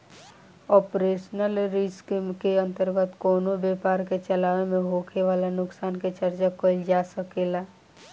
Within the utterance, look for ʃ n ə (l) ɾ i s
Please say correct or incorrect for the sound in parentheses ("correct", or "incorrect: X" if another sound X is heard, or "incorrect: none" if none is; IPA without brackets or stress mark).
correct